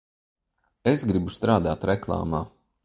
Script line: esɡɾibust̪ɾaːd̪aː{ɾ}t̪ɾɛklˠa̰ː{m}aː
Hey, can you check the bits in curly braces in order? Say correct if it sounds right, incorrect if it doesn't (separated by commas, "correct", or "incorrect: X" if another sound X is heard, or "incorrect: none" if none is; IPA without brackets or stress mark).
incorrect: none, correct